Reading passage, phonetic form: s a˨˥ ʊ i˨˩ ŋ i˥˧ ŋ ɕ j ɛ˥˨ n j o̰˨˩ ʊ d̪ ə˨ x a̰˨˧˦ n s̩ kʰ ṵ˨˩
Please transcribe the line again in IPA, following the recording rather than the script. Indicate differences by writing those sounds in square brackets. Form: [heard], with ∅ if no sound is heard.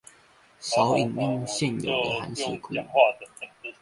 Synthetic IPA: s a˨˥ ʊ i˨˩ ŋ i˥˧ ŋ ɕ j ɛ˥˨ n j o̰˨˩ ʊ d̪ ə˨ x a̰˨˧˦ n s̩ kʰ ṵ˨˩